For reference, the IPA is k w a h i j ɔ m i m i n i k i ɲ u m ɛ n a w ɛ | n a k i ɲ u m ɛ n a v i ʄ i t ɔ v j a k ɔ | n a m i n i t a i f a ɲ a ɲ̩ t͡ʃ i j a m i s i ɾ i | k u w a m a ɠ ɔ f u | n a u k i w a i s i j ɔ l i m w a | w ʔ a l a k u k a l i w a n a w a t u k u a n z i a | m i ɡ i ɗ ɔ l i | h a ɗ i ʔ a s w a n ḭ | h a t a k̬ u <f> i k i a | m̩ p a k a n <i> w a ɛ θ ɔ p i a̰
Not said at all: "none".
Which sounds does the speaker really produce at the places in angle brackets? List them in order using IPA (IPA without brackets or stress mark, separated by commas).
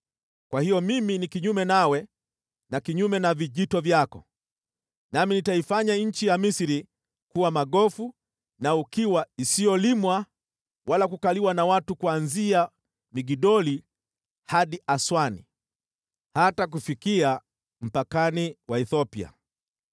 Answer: f, i